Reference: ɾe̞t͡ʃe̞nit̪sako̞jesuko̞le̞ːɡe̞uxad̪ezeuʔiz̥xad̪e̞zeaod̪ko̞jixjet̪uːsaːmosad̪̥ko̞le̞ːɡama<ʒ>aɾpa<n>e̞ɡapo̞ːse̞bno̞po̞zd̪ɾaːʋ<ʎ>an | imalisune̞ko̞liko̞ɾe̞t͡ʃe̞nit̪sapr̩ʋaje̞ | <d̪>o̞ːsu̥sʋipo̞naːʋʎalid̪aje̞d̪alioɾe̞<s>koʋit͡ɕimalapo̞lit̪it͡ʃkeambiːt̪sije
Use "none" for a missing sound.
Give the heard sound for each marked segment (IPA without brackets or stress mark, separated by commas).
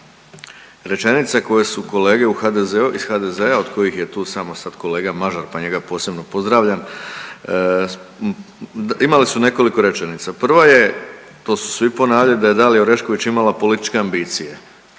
ʒ, ɲ, ʎ, t̪, ʃ